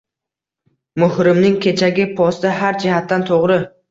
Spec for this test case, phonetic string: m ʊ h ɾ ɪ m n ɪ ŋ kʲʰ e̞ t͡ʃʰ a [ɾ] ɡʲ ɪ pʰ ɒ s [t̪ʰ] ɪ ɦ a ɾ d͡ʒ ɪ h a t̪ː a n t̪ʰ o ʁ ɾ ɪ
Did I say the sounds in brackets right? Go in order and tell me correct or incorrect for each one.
incorrect: none, incorrect: t̪

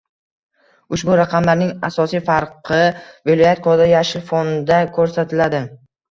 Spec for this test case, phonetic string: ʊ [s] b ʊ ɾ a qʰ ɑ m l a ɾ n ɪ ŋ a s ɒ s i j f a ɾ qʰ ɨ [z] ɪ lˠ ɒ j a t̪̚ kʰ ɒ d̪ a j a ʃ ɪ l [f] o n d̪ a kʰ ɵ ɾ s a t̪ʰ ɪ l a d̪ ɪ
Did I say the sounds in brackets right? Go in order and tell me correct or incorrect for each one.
incorrect: ʃ, incorrect: v, correct

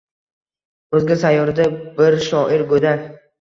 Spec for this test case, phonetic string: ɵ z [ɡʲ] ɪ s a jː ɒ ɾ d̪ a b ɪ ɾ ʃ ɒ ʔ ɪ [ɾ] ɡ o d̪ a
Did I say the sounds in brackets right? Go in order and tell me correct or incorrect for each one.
correct, correct

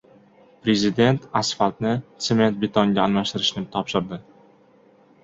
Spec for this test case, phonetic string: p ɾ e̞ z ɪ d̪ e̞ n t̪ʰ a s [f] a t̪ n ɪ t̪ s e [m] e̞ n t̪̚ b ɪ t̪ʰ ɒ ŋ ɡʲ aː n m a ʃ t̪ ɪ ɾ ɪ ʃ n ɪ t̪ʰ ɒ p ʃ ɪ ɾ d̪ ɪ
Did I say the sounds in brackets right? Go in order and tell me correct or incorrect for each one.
correct, correct

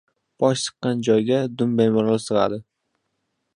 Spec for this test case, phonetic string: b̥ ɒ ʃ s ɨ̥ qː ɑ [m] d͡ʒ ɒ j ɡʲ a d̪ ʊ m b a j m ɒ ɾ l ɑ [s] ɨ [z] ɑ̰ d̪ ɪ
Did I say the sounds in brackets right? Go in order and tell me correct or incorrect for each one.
incorrect: n, correct, incorrect: ʁ

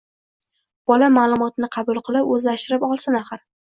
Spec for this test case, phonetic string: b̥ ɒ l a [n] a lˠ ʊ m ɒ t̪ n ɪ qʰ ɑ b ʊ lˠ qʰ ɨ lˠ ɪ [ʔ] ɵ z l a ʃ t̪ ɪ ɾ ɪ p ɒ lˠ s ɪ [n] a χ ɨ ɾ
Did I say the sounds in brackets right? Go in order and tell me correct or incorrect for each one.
incorrect: m, incorrect: p, correct

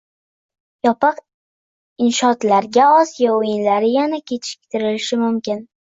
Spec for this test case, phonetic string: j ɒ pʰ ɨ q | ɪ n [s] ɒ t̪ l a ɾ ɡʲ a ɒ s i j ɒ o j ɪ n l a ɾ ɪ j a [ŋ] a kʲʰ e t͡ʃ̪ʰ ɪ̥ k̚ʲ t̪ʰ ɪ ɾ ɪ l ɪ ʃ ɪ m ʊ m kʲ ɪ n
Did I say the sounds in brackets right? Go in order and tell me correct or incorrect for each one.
incorrect: ʃ, incorrect: n

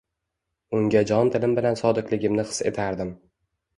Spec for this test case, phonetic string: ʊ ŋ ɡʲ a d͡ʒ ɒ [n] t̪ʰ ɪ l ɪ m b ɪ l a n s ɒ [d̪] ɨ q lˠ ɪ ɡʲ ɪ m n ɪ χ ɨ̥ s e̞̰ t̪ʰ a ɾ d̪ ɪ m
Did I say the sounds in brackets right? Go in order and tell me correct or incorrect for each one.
correct, correct

